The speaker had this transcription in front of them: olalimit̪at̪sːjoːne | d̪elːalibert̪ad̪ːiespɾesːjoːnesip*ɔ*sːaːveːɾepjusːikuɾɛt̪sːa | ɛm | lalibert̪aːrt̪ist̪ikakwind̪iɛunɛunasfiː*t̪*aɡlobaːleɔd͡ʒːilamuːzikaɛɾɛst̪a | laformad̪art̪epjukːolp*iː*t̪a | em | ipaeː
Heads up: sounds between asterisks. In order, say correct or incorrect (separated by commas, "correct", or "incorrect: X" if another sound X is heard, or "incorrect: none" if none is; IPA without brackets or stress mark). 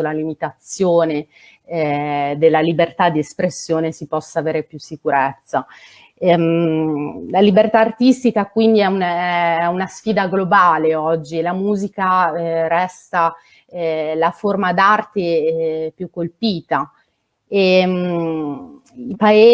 correct, incorrect: d̪, correct